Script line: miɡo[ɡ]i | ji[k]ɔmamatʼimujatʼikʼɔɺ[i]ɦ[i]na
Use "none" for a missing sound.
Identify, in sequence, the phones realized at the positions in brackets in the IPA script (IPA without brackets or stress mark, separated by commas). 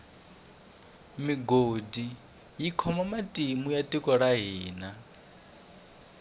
d, kʰ, a, iː